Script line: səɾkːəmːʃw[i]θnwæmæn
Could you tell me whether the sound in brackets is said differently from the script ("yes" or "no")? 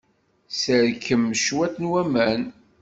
yes